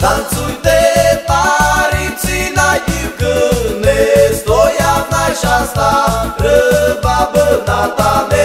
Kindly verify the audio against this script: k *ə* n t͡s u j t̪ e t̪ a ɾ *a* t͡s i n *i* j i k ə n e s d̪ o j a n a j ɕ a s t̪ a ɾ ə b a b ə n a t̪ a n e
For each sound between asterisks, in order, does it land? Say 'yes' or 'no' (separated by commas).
no, no, no